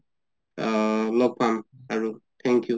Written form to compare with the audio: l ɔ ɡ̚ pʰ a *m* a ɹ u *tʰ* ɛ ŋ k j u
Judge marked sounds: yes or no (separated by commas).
yes, yes